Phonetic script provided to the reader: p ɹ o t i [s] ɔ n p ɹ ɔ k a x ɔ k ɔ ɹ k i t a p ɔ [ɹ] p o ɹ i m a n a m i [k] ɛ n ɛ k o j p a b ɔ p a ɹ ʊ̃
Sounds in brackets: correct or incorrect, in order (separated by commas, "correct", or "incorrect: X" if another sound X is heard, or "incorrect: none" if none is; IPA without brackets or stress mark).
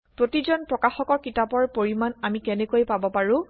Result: incorrect: z, correct, correct